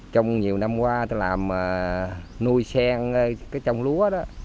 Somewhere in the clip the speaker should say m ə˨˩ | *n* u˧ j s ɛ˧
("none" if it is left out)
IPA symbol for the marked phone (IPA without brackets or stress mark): n